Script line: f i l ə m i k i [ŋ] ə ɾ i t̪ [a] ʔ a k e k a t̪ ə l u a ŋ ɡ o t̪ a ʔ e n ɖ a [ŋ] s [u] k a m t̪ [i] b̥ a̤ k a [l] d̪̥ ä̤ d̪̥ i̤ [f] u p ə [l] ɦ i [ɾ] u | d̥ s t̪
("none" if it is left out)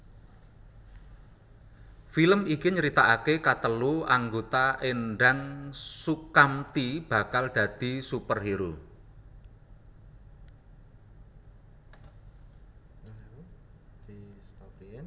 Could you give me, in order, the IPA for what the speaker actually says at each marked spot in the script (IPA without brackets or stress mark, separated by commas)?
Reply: ɲ, a, ŋ, u, i, l, s, r, ɾ